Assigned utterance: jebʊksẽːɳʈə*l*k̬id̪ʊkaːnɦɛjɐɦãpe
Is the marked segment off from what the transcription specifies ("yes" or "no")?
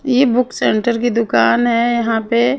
yes